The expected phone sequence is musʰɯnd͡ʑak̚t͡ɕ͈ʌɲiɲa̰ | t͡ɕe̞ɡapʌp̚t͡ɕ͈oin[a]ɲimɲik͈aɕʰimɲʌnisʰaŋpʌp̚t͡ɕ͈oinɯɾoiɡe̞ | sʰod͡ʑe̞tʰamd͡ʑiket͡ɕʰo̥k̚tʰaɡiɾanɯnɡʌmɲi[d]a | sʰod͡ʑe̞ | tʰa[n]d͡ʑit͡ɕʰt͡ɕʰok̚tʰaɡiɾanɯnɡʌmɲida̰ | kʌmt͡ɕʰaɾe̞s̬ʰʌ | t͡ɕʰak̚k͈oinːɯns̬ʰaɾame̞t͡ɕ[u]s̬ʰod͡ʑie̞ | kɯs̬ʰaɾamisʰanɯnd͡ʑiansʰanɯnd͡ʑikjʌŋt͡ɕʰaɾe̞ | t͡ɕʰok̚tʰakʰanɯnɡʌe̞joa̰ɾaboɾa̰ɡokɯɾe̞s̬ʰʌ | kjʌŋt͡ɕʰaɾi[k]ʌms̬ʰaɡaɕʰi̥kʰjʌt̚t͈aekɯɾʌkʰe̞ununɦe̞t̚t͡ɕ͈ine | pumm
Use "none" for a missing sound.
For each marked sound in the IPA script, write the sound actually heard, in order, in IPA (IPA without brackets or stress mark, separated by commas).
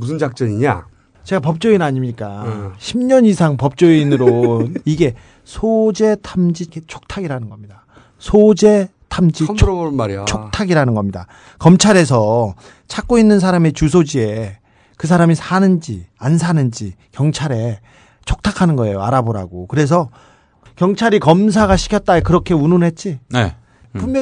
a, d, m, u, k